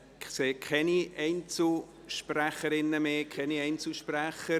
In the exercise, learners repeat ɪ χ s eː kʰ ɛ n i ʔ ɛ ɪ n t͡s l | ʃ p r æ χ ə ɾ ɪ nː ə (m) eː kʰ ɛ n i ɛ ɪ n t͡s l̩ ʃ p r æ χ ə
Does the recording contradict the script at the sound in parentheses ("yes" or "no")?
no